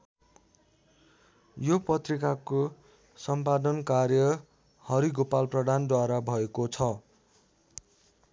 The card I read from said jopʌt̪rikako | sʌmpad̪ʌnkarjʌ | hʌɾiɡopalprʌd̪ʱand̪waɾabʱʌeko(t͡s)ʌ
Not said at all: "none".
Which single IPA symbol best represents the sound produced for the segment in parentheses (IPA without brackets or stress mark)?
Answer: t͡sʰ